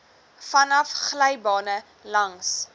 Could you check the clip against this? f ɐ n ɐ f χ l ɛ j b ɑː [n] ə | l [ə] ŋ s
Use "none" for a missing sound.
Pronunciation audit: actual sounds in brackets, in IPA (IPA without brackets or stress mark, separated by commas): n, ɐ